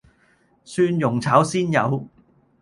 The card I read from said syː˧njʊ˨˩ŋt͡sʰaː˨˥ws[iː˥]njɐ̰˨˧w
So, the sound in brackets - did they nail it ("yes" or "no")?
yes